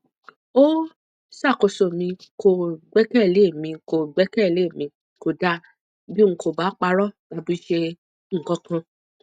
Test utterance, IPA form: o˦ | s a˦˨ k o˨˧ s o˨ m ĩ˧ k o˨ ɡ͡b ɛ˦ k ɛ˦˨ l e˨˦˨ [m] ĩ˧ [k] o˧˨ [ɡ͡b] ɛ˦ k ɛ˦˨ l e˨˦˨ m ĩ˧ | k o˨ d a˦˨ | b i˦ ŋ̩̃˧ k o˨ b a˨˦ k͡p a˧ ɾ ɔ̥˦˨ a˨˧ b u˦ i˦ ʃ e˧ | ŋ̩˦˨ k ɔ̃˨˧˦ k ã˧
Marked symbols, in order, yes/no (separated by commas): yes, yes, yes